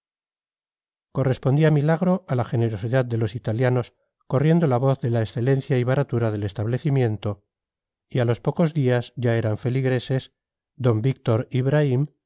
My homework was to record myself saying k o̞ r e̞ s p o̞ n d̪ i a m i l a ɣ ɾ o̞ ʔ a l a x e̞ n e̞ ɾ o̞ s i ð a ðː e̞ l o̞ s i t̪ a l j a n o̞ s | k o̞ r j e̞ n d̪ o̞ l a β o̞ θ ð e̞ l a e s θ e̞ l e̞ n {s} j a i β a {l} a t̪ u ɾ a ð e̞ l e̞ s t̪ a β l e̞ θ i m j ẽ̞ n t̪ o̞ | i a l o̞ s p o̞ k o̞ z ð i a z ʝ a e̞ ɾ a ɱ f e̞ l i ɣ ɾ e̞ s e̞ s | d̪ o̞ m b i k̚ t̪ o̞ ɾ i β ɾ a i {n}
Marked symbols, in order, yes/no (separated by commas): no, no, no